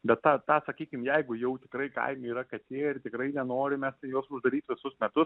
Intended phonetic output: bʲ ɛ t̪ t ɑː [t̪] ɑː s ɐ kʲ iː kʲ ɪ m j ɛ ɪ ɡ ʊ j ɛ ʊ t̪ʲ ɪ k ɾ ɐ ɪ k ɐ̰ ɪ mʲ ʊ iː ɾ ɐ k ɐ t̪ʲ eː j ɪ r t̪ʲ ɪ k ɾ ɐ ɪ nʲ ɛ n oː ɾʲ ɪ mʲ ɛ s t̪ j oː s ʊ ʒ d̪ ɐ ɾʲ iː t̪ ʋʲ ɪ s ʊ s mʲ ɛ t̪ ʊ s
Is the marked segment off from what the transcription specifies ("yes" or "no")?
no